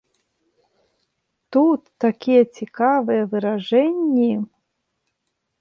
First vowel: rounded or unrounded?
rounded